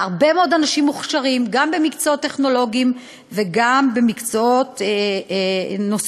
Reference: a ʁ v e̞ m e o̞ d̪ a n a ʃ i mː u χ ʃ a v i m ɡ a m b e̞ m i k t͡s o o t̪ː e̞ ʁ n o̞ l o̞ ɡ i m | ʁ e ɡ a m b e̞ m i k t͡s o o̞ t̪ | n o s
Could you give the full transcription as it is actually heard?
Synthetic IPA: a ʁ b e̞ m e o̞ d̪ a n a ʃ i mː u χ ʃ a ʁ i m ɡ a m b e̞ m i k t͡s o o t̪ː e̞ χ n o̞ l o̞ ɡ i m | v e ɡ a m b e̞ m i k t͡s o o̞ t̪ | n o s